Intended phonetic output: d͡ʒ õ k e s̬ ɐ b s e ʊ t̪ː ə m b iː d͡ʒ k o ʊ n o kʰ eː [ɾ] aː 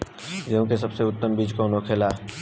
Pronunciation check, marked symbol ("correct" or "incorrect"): incorrect